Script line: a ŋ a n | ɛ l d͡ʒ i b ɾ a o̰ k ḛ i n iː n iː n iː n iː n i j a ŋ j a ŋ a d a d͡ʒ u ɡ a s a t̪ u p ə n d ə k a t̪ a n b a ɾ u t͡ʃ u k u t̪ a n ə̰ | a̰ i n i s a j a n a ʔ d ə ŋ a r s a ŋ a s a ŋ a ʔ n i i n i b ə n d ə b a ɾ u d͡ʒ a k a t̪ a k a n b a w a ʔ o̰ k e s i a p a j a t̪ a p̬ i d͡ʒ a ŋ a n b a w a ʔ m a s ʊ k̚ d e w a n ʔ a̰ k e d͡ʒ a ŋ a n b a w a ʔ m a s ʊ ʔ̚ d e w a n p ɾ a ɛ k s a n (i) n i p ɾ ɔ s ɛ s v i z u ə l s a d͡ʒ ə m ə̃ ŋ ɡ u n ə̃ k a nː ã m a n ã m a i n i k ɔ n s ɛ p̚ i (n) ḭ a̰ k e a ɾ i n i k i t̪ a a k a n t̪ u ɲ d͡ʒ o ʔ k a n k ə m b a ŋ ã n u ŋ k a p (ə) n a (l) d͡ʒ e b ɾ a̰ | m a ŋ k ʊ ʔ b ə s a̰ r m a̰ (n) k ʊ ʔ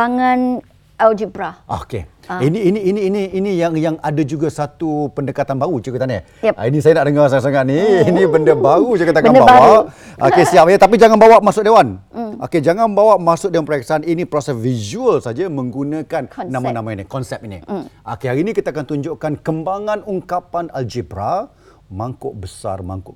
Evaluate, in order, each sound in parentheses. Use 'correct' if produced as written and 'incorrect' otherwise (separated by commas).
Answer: correct, correct, incorrect, correct, incorrect